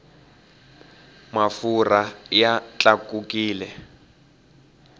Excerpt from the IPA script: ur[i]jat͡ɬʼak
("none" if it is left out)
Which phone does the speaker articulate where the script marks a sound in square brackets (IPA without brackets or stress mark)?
a